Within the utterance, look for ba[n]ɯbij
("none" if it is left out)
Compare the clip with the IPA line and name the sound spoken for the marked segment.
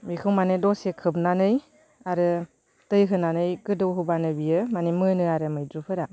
n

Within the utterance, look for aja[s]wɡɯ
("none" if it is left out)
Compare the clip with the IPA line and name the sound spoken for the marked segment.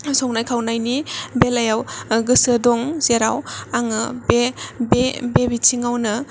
none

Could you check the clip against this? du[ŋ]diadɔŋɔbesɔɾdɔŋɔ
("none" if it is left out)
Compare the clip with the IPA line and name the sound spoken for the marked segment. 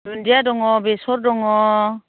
n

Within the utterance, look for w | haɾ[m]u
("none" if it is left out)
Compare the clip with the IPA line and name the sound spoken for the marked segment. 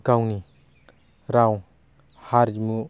m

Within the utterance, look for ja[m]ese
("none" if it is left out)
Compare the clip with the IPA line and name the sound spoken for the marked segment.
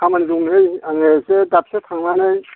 ŋ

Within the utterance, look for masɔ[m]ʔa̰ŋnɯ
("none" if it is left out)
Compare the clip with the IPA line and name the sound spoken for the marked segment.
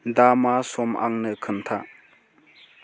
m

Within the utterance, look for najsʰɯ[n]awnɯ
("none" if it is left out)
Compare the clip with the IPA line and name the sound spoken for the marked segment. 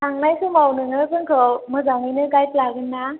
m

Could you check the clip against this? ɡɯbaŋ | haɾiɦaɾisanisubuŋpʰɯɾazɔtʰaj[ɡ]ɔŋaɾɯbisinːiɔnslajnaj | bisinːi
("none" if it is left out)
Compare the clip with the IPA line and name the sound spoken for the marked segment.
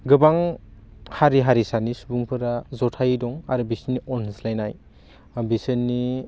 d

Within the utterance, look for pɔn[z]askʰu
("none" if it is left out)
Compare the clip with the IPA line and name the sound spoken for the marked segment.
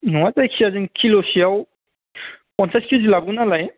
s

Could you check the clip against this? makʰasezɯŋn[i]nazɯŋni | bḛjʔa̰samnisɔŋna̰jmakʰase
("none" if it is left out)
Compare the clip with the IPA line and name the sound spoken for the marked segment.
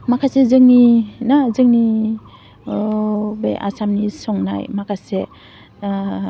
i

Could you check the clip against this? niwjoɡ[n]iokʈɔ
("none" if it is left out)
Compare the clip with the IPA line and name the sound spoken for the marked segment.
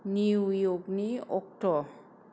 n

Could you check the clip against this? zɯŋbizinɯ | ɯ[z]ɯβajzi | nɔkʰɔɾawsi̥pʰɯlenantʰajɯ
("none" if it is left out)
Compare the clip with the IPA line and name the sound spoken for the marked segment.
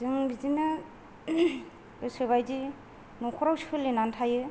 s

